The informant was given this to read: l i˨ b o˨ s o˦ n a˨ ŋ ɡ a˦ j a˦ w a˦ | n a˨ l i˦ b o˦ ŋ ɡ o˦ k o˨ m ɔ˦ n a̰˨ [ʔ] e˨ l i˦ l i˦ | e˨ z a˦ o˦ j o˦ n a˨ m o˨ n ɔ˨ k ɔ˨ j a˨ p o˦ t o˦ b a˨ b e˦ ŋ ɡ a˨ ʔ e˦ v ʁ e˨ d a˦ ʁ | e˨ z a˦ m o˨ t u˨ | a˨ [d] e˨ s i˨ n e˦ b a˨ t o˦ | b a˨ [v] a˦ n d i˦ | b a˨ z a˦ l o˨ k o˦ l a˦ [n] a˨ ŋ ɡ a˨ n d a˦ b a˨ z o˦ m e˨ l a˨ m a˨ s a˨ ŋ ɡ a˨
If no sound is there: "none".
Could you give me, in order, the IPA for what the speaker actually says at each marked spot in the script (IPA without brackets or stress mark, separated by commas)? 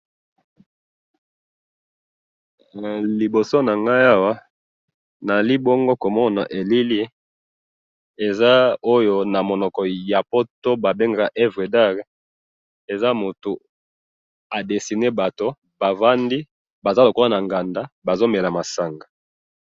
ʔ, d, v, n